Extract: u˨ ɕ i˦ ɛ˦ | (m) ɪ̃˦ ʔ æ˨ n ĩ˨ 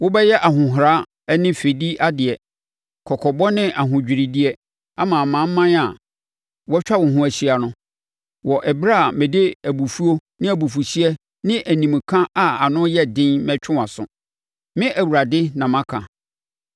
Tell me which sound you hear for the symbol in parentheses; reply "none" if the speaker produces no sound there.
n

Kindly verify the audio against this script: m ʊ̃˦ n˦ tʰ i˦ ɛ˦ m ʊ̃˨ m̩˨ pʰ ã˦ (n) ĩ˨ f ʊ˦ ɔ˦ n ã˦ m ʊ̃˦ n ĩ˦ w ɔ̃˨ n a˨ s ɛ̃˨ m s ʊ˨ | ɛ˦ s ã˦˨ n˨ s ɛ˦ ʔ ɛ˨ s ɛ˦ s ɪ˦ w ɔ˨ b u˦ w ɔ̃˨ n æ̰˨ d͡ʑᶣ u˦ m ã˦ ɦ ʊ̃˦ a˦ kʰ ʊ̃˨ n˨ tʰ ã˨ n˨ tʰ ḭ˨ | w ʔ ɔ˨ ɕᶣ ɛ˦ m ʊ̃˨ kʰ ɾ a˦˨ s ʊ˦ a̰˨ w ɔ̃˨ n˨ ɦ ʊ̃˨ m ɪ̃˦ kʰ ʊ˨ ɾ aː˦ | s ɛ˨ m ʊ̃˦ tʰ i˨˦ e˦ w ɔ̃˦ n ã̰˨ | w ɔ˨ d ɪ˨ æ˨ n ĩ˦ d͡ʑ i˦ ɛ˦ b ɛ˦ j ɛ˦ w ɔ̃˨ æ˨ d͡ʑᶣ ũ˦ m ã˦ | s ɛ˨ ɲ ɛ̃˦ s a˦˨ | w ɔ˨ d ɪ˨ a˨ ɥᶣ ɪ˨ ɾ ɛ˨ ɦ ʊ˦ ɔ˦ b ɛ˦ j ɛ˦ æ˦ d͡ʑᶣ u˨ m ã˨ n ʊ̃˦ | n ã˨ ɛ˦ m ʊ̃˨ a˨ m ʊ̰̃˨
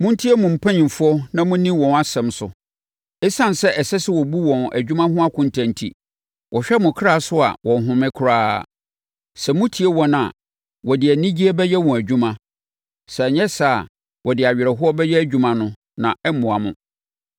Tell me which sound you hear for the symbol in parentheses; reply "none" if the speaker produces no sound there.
ɲ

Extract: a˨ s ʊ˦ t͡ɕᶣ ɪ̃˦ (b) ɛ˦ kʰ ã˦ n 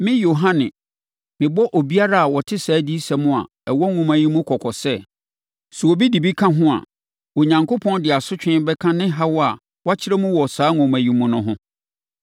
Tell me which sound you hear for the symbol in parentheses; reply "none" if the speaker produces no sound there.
b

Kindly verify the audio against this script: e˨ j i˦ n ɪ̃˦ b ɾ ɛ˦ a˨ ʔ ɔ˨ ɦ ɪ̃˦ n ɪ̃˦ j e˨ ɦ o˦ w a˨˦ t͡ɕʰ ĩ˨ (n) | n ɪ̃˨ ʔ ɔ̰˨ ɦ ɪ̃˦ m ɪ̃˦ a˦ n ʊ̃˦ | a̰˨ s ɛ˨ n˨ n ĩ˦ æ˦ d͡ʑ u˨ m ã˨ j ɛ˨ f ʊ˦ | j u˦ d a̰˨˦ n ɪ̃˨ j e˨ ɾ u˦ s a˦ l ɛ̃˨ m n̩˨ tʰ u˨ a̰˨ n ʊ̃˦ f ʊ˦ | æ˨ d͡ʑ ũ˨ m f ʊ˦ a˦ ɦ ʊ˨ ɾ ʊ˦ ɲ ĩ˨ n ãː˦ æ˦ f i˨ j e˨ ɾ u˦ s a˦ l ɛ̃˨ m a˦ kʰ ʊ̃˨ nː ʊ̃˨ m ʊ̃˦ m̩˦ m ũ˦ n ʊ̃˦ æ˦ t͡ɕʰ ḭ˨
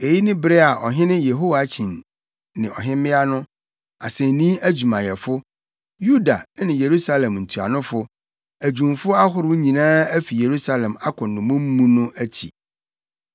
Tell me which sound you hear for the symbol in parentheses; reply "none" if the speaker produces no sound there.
n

